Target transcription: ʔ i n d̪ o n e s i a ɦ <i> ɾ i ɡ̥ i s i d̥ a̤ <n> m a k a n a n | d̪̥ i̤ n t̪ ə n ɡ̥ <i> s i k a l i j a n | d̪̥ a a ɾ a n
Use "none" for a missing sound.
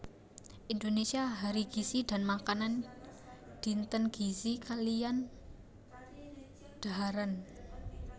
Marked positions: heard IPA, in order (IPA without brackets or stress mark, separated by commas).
a, n, i